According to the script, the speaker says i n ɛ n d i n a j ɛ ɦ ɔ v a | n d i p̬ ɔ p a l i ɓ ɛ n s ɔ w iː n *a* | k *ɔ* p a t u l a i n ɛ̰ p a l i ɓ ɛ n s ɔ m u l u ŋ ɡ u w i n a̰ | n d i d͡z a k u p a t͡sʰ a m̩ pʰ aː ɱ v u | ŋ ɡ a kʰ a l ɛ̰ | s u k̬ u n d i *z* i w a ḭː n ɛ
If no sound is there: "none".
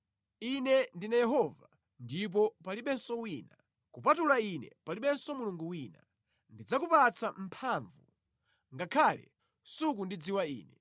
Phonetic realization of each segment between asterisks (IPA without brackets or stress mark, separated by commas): a, u, d͡z